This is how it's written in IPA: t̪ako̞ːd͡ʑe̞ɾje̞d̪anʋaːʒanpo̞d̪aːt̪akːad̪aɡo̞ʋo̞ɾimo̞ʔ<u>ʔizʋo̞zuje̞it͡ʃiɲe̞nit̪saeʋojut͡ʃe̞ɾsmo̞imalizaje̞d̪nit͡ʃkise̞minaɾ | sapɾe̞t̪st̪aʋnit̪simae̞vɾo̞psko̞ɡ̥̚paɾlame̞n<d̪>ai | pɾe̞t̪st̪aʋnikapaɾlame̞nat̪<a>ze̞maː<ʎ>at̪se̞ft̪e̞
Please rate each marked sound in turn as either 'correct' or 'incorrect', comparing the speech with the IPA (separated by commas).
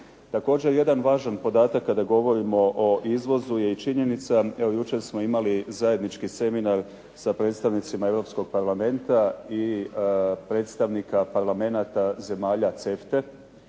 incorrect, incorrect, correct, correct